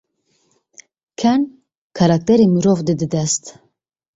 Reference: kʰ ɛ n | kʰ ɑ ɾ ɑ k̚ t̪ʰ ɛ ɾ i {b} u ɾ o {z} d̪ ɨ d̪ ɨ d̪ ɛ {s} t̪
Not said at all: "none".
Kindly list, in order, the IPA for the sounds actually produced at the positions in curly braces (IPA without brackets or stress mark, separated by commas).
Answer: m, v, s